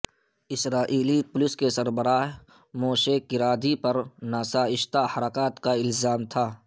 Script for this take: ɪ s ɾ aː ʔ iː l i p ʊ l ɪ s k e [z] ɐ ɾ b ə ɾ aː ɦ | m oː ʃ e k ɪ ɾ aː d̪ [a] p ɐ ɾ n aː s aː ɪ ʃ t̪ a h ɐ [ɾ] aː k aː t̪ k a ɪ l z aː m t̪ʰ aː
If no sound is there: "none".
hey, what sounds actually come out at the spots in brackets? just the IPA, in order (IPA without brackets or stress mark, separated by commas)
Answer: s, i, ɾ